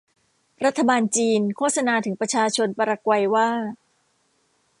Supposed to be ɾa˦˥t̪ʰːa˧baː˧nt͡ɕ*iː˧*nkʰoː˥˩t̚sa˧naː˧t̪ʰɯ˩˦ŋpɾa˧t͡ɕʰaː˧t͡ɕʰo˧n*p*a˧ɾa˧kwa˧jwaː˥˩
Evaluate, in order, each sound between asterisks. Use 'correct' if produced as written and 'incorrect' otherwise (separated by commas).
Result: correct, correct